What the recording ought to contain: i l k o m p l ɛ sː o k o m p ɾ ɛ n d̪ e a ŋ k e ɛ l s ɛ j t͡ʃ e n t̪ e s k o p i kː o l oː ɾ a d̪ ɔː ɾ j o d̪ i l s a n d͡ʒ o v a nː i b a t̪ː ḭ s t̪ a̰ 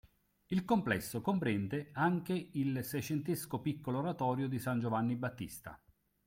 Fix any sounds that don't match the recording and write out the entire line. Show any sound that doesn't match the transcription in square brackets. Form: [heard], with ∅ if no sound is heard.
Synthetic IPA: i l k o m p l ɛ sː o k o m p ɾ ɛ n d̪ e a ŋ k e [i] l s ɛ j t͡ʃ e n t̪ e s k o p i kː o l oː ɾ a [t̪] ɔː ɾ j o d̪ i [∅] s a n d͡ʒ o v a nː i b a t̪ː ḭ s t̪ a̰